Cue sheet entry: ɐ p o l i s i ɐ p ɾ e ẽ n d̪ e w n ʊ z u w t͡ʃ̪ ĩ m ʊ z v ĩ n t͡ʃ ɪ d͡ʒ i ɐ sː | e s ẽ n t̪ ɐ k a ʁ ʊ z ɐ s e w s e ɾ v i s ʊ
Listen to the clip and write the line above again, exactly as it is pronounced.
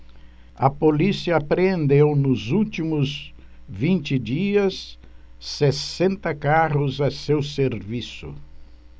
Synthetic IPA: ɐ p o l i s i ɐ p ɾ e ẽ n d̪ e w n ʊ z u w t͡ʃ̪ i m ʊ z v ĩ n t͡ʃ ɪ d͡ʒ i ɐ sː | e s ẽ n t̪ ɐ k a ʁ ʊ z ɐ s e w s e ɾ v i s ʊ